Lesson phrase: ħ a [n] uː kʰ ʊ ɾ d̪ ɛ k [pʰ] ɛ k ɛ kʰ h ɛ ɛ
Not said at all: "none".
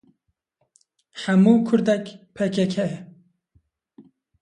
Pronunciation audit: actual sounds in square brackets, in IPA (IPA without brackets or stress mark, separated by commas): m, pʰ